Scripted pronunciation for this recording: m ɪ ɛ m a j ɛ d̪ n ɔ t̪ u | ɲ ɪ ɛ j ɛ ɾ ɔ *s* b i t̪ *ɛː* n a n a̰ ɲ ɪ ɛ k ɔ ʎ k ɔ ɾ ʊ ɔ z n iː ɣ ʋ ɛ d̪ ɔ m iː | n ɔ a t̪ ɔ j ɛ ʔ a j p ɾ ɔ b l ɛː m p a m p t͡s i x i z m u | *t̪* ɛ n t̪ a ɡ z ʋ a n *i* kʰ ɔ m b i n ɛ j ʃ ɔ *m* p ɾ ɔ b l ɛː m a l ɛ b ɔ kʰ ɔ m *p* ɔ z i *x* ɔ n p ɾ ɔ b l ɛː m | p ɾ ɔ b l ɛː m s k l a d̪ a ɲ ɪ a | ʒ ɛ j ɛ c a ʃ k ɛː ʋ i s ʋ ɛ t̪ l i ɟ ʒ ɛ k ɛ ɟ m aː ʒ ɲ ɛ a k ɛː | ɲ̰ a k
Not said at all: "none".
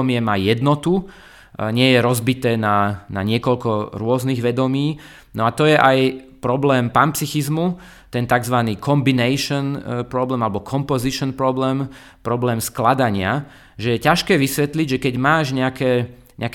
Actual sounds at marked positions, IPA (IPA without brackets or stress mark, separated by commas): z, ɛː, t̪, iː, n, p, ʃ